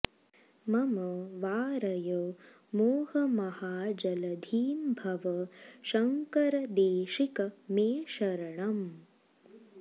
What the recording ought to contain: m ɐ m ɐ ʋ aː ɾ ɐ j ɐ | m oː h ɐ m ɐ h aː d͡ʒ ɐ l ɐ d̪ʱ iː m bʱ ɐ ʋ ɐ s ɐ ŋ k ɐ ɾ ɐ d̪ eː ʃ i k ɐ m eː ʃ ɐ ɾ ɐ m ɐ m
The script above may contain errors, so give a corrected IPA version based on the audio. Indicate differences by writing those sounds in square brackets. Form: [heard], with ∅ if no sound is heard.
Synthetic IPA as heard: m ɐ m ɐ ʋ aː ɾ ɐ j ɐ | m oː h ɐ m ɐ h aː d͡ʒ ɐ l ɐ d̪ʱ iː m bʱ ɐ ʋ ɐ [ʃ] ɐ ŋ k ɐ ɾ ɐ d̪ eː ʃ i k ɐ m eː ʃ ɐ ɾ ɐ [ɳ] ɐ m